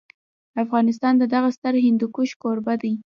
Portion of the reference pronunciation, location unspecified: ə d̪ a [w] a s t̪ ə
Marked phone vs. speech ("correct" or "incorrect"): incorrect